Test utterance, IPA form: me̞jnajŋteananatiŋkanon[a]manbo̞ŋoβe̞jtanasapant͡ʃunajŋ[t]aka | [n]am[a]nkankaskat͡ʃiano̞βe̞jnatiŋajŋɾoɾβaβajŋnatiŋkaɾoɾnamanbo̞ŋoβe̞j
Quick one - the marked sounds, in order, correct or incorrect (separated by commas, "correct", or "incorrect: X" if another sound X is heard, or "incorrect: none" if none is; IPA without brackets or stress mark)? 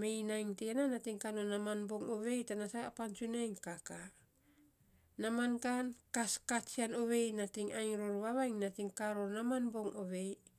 correct, incorrect: k, correct, correct